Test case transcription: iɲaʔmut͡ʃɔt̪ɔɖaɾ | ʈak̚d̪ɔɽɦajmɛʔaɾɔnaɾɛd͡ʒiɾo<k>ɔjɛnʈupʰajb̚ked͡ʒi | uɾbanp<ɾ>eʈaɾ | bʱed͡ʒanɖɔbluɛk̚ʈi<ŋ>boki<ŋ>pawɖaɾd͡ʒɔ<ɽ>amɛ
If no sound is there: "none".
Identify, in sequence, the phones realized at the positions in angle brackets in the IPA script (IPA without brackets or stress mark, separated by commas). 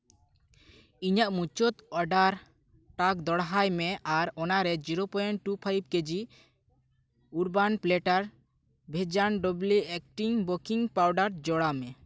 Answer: p, l, ŋ, ŋ, ɽ